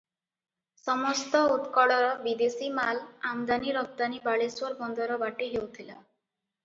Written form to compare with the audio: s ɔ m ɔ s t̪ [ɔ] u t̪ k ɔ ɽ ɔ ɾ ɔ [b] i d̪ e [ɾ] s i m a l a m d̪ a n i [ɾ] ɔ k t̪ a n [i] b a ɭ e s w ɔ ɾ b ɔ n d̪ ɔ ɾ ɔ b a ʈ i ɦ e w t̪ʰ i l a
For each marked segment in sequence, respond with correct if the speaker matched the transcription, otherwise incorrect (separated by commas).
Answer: correct, correct, incorrect, correct, correct